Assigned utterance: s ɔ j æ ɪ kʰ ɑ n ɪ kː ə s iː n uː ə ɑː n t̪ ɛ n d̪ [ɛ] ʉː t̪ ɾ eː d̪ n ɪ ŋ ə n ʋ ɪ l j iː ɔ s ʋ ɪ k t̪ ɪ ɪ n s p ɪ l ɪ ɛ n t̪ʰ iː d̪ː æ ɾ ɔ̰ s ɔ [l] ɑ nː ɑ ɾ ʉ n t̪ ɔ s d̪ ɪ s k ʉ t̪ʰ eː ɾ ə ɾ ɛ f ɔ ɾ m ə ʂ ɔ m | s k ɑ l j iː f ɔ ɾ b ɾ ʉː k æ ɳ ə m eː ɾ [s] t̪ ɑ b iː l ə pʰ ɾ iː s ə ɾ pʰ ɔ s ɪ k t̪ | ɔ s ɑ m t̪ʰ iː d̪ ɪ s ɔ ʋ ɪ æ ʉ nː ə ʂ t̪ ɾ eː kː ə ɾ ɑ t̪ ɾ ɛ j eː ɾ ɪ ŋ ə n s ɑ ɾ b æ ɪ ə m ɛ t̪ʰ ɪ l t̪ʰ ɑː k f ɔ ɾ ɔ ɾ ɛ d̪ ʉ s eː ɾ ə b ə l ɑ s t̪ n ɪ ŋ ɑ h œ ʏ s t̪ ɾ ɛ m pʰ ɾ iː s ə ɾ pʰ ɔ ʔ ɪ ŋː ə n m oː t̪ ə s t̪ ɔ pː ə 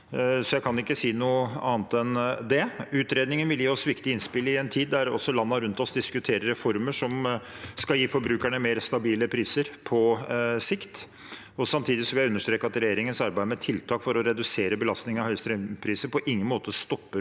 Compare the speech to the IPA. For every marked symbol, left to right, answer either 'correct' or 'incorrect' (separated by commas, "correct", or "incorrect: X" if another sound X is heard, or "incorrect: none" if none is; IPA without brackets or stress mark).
correct, correct, correct